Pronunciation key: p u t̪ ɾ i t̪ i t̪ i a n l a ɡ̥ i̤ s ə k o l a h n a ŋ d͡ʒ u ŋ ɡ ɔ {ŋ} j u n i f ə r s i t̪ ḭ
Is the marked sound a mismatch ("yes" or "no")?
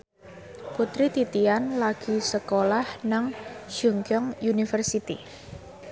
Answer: no